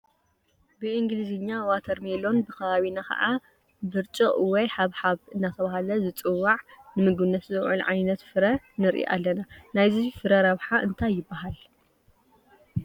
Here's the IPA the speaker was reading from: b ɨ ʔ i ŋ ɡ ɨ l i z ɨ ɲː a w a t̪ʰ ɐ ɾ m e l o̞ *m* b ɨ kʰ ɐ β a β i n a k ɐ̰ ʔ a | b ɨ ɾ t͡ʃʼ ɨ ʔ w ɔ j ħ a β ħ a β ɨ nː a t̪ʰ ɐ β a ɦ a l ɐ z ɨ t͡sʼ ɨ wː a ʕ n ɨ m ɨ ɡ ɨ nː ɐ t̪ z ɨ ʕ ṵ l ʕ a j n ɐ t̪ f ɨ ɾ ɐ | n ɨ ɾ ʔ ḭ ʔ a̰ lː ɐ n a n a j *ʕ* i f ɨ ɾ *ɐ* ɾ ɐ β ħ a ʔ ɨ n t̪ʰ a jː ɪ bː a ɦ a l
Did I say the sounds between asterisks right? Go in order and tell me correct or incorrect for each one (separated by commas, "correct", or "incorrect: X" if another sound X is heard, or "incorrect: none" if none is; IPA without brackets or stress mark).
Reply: incorrect: n, incorrect: z, correct